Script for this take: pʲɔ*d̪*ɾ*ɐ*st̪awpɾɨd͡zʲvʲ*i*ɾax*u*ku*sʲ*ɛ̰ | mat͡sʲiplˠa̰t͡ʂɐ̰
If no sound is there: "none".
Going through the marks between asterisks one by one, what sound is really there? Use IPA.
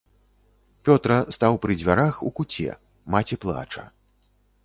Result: t̪, ɐ, a, u, t͡sʲ

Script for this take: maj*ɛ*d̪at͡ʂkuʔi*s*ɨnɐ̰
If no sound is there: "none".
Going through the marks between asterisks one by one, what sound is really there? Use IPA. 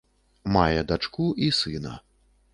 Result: ɛ, s

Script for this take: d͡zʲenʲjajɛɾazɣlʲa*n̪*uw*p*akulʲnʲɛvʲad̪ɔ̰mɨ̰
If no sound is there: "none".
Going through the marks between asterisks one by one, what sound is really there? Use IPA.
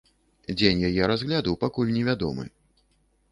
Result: d̪, p

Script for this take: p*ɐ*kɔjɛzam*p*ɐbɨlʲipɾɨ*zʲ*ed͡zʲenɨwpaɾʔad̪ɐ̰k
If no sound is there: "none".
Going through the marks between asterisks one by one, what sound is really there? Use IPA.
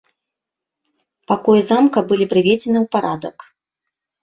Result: a, k, vʲ

